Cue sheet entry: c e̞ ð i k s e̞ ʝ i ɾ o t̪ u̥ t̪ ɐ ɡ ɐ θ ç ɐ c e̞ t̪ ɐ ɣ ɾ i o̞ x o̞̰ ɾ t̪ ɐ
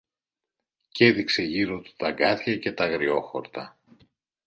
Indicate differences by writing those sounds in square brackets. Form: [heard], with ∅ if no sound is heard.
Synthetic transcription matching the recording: c e̞ ð i k s e̞ ʝ i ɾ o t̪ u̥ t̪ ɐ ɡ ɐ θ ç ɐ c e̞ t̪ ɐ ɣ ɾ i o̞ x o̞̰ ɾ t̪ ɐ